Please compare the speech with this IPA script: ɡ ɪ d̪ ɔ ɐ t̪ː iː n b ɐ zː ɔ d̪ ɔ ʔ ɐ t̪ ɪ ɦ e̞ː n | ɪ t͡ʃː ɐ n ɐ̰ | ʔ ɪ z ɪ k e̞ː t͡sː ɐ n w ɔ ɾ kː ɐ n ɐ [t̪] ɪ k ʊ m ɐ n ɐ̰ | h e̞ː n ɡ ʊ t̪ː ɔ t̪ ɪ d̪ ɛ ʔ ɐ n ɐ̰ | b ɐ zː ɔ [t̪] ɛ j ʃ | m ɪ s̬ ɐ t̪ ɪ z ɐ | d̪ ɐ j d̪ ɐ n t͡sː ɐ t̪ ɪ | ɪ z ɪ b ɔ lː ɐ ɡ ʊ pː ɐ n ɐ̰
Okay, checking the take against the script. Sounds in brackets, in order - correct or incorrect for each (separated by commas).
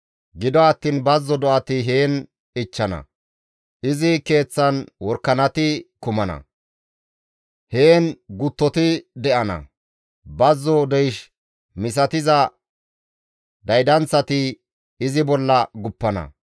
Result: correct, incorrect